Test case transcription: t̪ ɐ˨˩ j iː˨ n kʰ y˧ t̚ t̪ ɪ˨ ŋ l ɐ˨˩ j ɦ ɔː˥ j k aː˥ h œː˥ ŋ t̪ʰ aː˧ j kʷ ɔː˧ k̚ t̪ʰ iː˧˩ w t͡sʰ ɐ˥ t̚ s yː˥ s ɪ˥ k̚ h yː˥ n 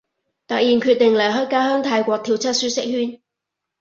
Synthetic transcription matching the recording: t̪ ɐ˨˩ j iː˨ n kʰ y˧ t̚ t̪ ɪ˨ ŋ l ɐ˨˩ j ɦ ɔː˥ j k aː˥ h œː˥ ŋ t̪ʰ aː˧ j kʷ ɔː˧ k̚ t̪ʰ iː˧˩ w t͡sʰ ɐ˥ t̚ s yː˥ s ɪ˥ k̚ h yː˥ n